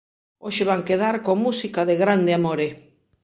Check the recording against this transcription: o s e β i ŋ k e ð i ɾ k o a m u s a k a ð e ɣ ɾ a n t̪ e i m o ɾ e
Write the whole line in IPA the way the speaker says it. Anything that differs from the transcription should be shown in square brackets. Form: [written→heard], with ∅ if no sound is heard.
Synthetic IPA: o [s→ʃ] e β [i→a] ŋ k e ð [i→a] ɾ k o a m u s [a→i] k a ð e ɣ ɾ a n [t̪→d̪] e [i→a] m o ɾ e